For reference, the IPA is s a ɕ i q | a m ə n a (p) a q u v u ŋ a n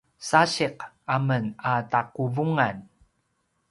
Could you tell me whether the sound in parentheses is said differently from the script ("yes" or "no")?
yes